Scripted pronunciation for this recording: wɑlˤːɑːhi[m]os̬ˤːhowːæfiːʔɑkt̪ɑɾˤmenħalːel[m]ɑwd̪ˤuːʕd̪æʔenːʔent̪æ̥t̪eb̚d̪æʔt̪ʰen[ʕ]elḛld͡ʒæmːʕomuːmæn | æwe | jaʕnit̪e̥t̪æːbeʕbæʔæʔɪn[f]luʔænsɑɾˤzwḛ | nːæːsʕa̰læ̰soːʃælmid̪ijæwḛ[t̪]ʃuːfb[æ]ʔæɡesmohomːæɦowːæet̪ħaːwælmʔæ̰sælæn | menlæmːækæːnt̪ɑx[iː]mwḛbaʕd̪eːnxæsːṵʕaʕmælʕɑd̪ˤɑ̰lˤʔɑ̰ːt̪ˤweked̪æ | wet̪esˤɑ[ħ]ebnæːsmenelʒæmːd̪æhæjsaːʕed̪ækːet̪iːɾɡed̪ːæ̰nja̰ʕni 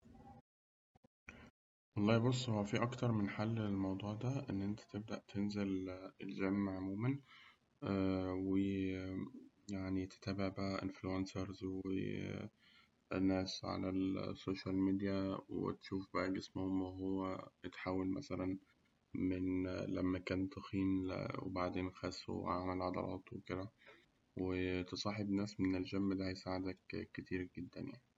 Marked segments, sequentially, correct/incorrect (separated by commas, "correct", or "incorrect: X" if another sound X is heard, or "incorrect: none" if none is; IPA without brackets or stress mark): incorrect: b, correct, incorrect: z, correct, correct, correct, correct, correct